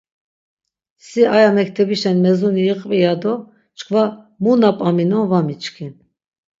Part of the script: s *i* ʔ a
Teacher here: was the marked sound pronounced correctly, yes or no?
yes